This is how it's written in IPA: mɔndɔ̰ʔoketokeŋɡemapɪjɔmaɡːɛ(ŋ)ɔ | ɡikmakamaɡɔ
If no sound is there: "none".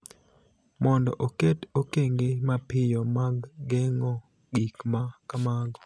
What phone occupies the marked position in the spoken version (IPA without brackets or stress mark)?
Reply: ŋ